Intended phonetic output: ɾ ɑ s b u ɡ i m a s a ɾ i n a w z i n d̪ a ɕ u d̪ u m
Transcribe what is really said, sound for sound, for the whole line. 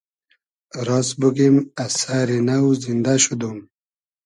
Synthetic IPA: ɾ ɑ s b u ɡ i m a s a ɾ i n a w z i n d̪ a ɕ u d̪ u m